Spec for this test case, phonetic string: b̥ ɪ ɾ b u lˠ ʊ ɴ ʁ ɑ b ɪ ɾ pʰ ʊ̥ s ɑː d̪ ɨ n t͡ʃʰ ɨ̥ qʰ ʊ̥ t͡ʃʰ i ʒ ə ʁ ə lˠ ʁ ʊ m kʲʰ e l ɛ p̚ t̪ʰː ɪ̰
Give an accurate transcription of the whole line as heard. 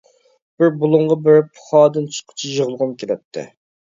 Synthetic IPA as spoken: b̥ ɪ ɾ b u lˠ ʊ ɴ ʁ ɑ b ɪ ɾ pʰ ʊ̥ χ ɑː d̪ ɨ n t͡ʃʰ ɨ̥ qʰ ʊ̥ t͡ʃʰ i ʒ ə ʁ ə lˠ ʁ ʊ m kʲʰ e l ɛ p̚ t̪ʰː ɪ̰